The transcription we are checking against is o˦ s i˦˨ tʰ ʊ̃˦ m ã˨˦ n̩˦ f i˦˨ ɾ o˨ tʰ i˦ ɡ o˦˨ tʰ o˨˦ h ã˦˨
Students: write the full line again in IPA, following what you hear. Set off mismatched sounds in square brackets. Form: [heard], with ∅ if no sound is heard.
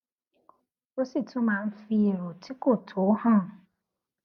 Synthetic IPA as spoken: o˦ s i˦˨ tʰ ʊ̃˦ m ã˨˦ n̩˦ f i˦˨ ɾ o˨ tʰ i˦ [k] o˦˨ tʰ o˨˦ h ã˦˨